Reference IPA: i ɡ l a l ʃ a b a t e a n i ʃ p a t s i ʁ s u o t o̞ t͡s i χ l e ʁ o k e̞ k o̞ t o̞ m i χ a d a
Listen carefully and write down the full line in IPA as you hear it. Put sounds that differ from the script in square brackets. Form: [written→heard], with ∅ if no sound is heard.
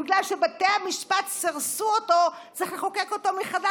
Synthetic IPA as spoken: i ɡ l a l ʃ [a→e] b a t e a [n→m] i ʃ p a t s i ʁ s u o t o̞ t͡s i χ l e [ʁ→χ] o k e̞ k o̞ t o̞ m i χ a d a